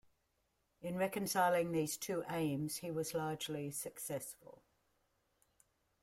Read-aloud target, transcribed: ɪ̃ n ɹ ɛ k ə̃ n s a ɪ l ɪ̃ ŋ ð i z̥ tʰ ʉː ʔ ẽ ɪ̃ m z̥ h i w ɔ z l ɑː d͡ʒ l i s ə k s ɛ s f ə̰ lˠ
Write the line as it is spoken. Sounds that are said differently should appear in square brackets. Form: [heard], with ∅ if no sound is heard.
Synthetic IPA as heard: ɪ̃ n ɹ ɛ k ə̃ n s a ɪ l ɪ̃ ŋ ð [iː] z̥ tʰ ʉː ʔ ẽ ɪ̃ m z̥ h i w [ɒ] z l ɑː d͡ʒ l i s ə k s ɛ s f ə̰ lˠ